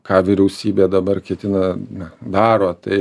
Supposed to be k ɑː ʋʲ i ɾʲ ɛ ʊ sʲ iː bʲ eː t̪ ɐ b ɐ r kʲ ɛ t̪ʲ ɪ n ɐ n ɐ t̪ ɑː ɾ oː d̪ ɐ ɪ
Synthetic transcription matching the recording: k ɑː ʋʲ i ɾʲ ɛ ʊ sʲ iː bʲ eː d̪ ɐ b ɐ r kʲ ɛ t̪ʲ ɪ n ɐ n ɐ d̪ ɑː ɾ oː t̪ ɐ ɪ